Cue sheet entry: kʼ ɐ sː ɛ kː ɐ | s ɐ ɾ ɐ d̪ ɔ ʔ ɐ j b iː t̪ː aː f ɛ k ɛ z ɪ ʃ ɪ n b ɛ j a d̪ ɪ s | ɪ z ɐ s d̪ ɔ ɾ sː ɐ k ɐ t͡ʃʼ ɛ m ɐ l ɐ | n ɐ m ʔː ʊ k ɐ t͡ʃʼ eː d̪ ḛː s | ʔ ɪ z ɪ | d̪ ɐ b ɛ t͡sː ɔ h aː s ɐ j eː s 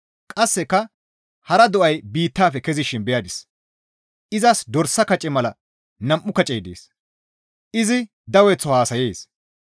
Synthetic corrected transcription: kʼ ɐ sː ɛ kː ɐ | h ɐ ɾ ɐ d̪ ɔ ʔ ɐ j b iː t̪ː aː f ɛ k ɛ z ɪ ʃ ɪ n b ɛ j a d̪ ɪ s | ɪ z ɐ s d̪ ɔ ɾ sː ɐ k ɐ t͡ʃʼ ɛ m ɐ l ɐ | n ɐ m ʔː ʊ k ɐ t͡ʃʼ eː d̪ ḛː s | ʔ ɪ z ɪ | d̪ ɐ w ɛ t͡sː ɔ h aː s ɐ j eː s